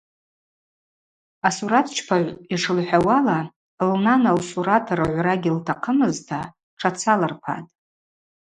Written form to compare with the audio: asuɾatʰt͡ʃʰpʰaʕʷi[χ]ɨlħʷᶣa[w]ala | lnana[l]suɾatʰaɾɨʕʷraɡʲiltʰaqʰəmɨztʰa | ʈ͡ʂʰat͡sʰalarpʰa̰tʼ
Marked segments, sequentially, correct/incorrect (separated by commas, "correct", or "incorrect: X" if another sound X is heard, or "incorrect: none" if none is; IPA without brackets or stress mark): incorrect: ʂ, correct, correct